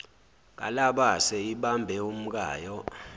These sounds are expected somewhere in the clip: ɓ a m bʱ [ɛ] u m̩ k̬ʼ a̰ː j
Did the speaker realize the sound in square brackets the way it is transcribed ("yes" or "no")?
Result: yes